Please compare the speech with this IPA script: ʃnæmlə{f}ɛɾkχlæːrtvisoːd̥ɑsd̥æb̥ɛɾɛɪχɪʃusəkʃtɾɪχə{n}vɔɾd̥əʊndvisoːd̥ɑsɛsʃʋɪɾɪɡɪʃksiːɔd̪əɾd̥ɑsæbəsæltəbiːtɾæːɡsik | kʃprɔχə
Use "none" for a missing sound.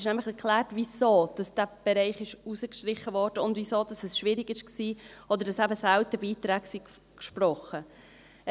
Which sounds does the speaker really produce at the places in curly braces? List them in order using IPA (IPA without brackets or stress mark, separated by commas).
χ, none